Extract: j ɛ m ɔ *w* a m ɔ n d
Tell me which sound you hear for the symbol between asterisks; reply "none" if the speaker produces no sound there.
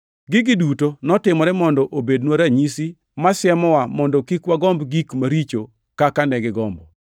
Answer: w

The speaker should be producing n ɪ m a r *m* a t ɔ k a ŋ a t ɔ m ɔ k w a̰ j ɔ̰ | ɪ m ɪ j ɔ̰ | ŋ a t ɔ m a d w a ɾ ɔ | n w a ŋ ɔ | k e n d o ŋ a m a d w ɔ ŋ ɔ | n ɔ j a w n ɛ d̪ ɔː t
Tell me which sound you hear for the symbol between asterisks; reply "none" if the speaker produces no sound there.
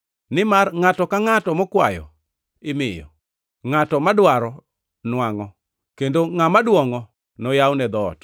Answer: ŋ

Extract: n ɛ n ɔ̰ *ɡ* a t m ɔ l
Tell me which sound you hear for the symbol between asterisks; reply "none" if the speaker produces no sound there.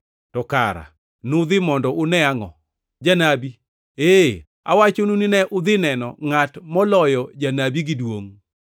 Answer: ŋ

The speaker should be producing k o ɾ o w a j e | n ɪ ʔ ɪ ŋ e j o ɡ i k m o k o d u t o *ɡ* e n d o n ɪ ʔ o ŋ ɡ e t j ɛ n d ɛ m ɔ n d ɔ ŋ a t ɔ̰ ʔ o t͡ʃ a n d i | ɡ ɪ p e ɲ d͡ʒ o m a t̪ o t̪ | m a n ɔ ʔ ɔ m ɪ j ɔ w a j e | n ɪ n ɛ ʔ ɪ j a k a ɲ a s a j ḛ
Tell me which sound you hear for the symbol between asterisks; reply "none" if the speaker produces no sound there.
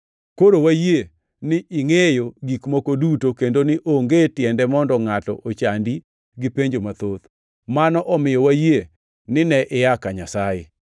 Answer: k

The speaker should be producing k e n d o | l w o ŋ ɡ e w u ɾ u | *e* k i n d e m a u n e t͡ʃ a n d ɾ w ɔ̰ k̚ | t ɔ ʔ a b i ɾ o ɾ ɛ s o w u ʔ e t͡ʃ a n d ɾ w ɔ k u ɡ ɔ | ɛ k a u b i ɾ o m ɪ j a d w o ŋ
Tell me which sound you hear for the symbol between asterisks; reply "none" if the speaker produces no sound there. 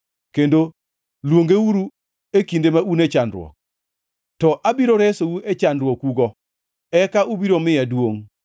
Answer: e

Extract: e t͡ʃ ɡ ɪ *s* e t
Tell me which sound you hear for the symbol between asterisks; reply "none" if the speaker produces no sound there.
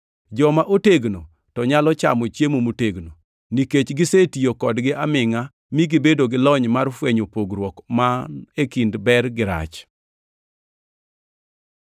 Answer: s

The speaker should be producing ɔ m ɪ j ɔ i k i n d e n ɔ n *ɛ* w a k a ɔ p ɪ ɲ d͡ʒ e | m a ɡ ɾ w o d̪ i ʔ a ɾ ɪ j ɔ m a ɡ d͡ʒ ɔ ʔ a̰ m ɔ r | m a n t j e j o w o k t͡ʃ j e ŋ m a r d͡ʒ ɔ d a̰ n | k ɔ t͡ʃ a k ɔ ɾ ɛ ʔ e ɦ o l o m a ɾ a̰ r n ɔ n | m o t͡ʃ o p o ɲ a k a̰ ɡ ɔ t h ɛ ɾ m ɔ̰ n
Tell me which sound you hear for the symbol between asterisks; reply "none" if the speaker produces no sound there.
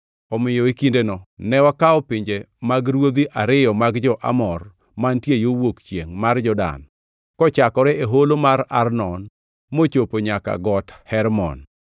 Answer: ɛ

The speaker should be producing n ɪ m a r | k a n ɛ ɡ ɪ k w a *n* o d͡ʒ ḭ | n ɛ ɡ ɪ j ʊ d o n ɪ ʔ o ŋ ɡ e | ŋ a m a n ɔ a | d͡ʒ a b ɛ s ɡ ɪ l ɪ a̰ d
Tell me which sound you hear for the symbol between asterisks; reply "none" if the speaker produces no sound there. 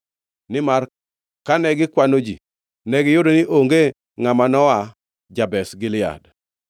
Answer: n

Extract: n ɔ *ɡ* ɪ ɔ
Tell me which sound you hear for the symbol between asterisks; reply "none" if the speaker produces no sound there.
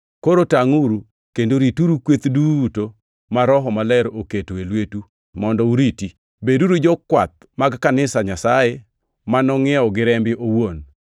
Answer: ŋ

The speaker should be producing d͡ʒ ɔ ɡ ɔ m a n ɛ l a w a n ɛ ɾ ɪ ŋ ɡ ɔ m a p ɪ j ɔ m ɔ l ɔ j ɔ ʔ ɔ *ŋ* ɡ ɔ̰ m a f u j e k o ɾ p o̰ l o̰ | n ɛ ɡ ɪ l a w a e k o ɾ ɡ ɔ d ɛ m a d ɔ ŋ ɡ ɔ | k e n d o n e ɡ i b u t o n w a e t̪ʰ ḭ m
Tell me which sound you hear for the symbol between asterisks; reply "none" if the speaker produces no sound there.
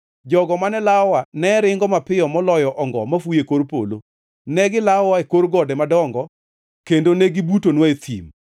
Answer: ŋ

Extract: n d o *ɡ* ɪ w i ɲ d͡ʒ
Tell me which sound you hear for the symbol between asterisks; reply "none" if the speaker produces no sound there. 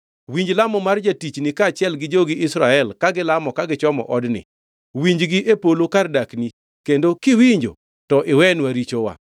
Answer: k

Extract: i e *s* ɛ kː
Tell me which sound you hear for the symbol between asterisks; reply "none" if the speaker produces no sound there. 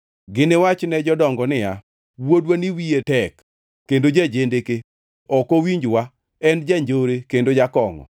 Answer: t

